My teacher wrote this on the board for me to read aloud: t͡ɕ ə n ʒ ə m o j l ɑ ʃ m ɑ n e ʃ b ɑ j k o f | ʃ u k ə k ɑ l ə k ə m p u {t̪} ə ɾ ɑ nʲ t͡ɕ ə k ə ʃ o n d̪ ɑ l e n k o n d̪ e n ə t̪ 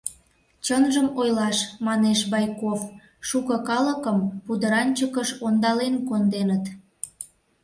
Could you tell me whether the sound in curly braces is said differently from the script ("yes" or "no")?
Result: yes